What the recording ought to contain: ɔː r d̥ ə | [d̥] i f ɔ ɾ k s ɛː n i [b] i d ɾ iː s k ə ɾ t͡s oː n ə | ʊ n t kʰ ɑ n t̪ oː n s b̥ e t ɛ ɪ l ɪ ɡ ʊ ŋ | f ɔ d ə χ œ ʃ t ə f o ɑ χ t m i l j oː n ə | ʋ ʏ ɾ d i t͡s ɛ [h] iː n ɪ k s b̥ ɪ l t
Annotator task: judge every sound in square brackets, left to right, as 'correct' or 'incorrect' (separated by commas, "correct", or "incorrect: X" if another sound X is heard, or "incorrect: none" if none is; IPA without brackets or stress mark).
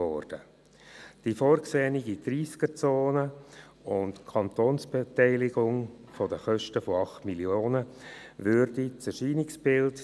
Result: correct, incorrect: ɡ, incorrect: ʃ